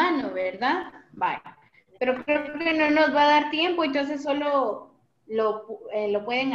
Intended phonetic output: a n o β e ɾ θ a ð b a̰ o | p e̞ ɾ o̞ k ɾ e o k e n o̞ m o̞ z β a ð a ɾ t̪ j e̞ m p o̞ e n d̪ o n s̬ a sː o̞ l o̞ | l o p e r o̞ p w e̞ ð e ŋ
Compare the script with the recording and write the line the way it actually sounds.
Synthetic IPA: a n o β e ɾ ð a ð b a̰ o | p e̞ ɾ o̞ k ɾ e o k e n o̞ n o̞ z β a ð a ɾ t̪ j e̞ m p o̞ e n t̪ o n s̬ e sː o̞ l o̞ | l o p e l o̞ p w e̞ ð e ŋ